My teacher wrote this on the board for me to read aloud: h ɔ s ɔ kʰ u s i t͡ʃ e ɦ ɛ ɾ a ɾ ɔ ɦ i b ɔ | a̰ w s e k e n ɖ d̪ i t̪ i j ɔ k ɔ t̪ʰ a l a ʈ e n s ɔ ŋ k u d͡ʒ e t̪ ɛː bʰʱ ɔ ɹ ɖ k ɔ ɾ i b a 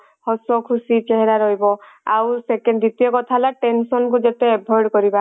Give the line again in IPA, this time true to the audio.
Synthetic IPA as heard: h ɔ s ɔ kʰ u s i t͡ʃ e ɦ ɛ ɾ a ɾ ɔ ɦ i b ɔ | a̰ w s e k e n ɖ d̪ i t̪ i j ɔ k ɔ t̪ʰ a l a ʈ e n s ɔ n k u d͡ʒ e t̪ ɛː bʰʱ ɔ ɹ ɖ k ɔ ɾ i b a

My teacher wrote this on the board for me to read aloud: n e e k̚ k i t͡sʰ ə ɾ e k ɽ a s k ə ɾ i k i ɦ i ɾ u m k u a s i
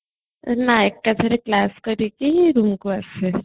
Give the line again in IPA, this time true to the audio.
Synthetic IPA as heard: n a e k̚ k a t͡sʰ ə ɾ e k l a s k ə ɾ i k i ɦ i ɾ u m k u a s e

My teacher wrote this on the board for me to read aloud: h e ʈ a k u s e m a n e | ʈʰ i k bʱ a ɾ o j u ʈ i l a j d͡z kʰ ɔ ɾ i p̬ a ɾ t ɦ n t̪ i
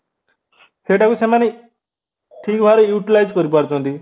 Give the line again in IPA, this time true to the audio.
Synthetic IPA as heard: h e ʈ a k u s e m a n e | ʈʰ i k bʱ a ɾ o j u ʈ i l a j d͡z k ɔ ɾ i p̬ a ɾ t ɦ n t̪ i

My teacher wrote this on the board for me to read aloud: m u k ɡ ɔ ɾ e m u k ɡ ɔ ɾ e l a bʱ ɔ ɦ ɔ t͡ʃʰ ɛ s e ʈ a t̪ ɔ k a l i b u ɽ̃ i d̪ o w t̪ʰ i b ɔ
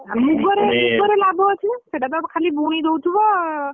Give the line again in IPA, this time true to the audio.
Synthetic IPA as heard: m u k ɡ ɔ ɾ e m u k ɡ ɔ ɾ e l a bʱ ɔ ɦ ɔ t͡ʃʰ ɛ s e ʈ a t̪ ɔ kʰ a l i b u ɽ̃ i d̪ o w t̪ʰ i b ɔ

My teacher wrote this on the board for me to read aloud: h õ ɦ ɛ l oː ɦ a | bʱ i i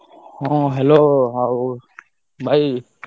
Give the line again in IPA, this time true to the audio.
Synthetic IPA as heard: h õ ɦ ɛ l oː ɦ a | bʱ a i

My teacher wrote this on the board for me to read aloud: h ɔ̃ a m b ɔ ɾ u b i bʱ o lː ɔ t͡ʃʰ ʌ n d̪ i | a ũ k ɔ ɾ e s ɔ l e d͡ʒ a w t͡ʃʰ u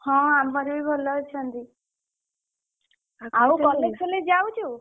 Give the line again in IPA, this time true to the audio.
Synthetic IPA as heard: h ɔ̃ a m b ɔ ɾ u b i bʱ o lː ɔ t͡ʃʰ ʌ n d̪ i | a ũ k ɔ l e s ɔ l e d͡ʒ a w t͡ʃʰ u

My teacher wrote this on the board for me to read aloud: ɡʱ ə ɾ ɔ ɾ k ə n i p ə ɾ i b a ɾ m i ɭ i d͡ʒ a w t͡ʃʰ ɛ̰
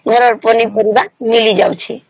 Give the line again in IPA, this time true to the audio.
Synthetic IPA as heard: ɡʱ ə ɾ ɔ ɾ p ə n i p ə ɾ i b a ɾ m i l i d͡ʒ a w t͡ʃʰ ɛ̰

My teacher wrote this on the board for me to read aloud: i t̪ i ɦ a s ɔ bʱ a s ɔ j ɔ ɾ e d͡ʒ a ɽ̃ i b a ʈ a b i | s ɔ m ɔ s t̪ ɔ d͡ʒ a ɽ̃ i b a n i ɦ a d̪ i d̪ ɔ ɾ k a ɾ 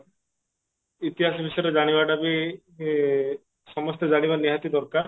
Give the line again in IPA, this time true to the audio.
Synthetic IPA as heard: i t̪ i ɦ a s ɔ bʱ i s ɔ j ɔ ɾ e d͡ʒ a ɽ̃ i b a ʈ a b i | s ɔ m ɔ s t̪ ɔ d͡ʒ a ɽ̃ i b a n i ɦ a t̪ i d̪ ɔ ɾ k a ɾ

